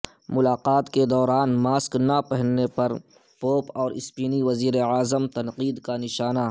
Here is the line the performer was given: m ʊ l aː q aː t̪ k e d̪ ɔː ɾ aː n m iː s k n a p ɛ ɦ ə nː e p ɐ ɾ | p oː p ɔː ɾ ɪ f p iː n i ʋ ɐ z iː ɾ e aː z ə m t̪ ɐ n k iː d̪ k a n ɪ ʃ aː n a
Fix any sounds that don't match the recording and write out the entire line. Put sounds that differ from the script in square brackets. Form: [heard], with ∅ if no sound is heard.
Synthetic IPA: m ʊ l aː q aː t̪ k e d̪ ɔː ɾ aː n m [aː] s k n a p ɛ ɦ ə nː e p ɐ ɾ | p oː p ɔː ɾ ɪ [s] p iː n i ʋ ɐ z iː ɾ e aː z ə m t̪ ɐ n [q] iː d̪ k a n ɪ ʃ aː n a